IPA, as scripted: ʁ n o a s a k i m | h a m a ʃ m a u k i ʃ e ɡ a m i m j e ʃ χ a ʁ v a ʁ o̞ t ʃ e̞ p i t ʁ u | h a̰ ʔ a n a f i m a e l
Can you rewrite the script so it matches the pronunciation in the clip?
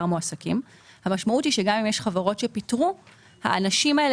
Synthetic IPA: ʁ m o a s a k i m | h a m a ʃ m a u t i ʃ e ɡ a m i m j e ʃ χ a v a ʁ o̞ t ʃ e̞ p i t ʁ u | h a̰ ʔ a n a ʃ i m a e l